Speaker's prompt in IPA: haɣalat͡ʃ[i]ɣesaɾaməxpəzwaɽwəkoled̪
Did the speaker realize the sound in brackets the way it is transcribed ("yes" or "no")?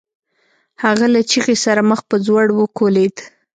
yes